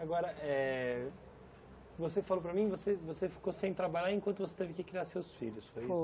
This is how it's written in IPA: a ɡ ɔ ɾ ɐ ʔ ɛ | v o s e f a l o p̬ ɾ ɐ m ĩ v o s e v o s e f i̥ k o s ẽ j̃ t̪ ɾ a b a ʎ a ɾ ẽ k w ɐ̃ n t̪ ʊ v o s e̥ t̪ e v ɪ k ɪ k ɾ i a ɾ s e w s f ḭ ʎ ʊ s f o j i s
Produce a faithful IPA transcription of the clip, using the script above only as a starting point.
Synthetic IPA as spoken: a ɡ ɔ ɾ ɐ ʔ ɛ | v o s e f a l o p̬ ɾ ɐ m ĩ v o s e v o s e f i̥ k o s ẽ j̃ t̪ ɾ a b a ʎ a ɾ ẽ k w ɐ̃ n t̪ ʊ v o s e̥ t̪ e v ɪ k ɪ k ɾ i a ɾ s e w s f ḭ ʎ ʊ s f o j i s